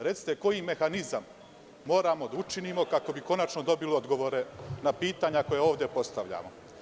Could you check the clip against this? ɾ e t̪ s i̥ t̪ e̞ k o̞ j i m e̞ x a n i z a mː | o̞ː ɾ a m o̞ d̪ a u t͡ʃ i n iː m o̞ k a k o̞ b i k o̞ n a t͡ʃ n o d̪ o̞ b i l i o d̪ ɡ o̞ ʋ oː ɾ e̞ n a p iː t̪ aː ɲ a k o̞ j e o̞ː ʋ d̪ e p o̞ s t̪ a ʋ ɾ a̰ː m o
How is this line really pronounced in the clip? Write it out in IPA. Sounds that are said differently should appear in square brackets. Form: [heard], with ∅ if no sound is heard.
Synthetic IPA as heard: ɾ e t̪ s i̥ t̪ e̞ k o̞ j i m e̞ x a n i z a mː | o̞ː ɾ a m o̞ d̪ a u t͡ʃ i n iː m o̞ k a k o̞ b i k o̞ n a t͡ʃ n o d̪ o̞ b i l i o d̪ ɡ o̞ ʋ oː ɾ e̞ n a p iː t̪ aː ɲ a k o̞ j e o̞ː ʋ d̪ e p o̞ s t̪ a ʋ [ʎ] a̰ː m o